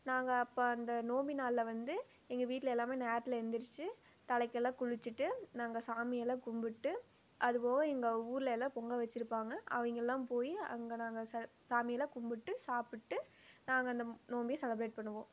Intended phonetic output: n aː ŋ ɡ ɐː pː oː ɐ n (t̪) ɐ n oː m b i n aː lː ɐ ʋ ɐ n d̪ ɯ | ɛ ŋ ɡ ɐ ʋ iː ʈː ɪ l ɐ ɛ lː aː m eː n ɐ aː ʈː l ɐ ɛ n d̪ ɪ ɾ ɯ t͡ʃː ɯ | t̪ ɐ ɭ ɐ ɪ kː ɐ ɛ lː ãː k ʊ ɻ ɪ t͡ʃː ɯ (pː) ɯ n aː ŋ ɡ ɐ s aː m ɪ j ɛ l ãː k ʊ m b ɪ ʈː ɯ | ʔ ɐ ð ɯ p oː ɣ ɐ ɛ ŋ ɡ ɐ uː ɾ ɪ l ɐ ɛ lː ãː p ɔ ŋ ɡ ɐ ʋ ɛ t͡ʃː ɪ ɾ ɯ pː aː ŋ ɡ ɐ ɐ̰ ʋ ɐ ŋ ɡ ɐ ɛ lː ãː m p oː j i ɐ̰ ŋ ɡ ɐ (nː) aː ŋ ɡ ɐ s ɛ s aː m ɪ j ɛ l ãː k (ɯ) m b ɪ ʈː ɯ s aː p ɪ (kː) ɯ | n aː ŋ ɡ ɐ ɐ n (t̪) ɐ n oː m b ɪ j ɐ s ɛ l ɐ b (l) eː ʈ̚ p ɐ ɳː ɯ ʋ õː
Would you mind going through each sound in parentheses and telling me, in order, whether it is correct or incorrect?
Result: incorrect: d̪, incorrect: ʈː, incorrect: n, incorrect: ʊ, incorrect: ʈː, incorrect: d̪, incorrect: ɾ

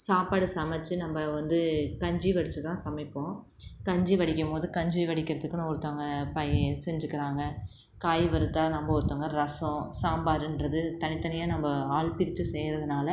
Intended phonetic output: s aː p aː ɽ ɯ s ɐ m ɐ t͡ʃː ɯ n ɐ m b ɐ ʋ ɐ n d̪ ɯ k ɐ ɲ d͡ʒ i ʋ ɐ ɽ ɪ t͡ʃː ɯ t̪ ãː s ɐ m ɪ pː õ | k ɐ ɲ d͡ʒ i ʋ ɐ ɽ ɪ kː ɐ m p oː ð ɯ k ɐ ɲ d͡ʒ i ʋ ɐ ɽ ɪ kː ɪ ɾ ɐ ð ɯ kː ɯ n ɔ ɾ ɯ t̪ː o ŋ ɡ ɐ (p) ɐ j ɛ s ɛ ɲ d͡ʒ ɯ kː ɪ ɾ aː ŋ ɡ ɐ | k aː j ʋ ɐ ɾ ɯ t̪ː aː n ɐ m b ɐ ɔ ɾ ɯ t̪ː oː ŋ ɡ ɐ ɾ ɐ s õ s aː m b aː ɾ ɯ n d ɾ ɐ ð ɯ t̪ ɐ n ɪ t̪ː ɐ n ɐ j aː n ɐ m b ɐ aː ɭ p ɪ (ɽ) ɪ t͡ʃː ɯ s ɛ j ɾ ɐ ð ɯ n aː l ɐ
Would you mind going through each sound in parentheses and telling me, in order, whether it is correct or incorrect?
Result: correct, incorrect: ɾ

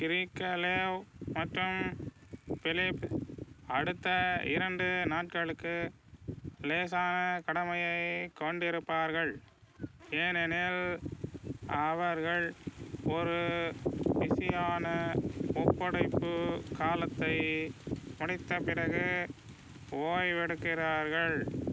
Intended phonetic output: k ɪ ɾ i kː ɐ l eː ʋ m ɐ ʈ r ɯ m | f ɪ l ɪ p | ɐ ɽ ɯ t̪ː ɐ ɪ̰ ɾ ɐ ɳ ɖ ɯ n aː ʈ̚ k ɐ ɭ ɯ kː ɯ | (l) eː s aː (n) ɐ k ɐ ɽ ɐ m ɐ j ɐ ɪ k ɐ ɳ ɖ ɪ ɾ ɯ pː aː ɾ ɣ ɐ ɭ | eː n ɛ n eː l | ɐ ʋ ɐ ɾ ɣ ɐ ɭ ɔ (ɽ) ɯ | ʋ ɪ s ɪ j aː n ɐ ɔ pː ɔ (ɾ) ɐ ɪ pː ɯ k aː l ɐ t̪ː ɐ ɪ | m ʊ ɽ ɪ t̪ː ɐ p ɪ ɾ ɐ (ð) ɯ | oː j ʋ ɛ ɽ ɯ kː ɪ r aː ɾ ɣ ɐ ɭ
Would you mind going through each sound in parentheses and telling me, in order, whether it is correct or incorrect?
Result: correct, correct, incorrect: ɾ, incorrect: ɽ, incorrect: ɣ

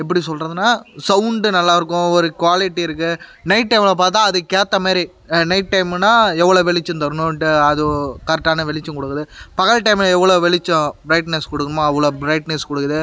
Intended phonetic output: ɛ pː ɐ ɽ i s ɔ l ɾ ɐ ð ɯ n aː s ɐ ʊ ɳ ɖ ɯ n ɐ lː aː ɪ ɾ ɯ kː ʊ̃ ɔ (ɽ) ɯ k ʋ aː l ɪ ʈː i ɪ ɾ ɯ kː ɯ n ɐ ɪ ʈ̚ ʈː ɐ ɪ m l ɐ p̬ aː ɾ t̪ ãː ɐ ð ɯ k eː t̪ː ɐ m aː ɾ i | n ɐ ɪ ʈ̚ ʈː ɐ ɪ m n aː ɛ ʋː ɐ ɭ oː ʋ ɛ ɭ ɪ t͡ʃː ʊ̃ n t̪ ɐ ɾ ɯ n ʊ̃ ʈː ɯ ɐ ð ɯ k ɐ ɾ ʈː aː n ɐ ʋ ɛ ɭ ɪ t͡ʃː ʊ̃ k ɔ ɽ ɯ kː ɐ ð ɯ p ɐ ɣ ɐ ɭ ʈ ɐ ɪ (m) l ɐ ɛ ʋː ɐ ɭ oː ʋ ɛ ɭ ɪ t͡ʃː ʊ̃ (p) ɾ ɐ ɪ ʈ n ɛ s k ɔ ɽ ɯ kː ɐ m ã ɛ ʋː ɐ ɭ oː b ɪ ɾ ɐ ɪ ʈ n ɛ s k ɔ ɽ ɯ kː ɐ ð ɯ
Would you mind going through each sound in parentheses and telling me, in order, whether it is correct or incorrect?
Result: incorrect: ɾ, correct, incorrect: b

